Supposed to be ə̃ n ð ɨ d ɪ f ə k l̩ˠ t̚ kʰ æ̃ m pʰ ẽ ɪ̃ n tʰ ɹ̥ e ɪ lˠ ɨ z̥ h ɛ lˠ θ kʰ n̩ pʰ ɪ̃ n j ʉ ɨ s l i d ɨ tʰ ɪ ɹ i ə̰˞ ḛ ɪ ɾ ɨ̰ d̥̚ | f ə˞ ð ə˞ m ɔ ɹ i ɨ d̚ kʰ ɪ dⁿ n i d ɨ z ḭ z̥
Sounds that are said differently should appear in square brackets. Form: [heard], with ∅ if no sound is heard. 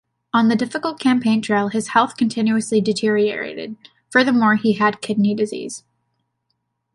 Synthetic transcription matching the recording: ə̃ n ð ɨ d ɪ f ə k l̩ˠ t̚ kʰ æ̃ m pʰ ẽ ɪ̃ n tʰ ɹ̥ e ɪ lˠ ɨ z̥ h ɛ lˠ θ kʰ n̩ [tʰ] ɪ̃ n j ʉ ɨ s l i d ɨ tʰ ɪ ɹ i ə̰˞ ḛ ɪ ɾ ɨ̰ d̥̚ | f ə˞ ð ə˞ m ɔ ɹ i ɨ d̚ kʰ ɪ dⁿ n i d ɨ z ḭ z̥